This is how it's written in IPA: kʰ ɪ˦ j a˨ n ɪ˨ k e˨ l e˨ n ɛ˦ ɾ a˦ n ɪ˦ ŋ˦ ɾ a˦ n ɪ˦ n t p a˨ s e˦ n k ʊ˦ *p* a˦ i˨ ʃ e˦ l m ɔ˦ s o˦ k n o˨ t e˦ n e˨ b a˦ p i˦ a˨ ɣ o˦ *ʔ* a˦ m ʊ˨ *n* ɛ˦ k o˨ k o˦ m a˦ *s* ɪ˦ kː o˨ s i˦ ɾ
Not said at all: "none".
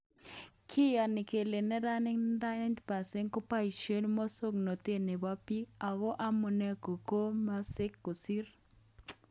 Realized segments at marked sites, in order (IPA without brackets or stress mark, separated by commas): p, ʔ, n, s